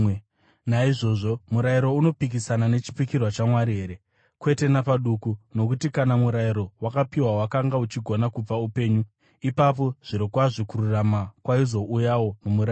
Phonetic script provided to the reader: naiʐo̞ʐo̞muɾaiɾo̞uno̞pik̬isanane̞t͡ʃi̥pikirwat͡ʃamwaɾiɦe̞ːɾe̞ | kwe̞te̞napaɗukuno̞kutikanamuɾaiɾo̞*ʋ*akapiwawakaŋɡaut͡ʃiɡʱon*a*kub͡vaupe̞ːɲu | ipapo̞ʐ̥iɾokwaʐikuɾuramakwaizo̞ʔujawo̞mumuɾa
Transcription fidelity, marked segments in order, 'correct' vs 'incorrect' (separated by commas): incorrect, correct